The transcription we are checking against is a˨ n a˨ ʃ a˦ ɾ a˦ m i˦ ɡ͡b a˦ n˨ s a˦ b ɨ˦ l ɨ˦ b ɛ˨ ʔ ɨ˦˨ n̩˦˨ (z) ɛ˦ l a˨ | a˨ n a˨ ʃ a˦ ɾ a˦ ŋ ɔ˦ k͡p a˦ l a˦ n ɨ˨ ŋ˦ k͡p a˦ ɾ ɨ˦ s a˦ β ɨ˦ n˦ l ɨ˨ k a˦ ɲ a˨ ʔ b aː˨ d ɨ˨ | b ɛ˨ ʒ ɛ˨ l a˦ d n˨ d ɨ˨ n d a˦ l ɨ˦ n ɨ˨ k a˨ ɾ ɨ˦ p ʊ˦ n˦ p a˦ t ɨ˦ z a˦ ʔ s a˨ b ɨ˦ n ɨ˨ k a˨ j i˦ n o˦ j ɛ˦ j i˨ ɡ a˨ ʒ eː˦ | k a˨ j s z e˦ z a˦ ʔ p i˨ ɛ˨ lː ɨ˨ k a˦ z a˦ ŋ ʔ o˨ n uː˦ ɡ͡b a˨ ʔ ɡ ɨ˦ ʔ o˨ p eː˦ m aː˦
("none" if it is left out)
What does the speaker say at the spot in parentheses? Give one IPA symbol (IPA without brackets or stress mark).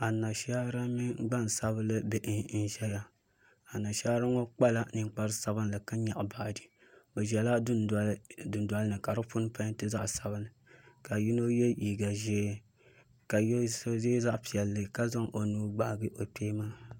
ʒ